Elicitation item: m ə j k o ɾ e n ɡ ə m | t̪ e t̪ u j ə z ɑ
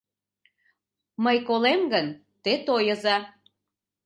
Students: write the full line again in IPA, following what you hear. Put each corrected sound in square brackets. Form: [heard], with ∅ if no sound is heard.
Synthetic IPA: m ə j k o [l] e [m] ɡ ə [n] | t̪ e t̪ [o] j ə z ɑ